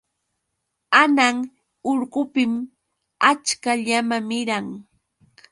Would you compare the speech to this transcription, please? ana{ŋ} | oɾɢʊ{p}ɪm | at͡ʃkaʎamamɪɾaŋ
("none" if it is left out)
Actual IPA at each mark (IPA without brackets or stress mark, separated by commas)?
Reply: ŋ, p